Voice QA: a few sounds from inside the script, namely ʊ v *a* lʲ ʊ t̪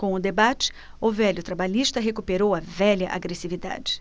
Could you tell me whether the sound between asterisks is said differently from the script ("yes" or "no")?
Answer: yes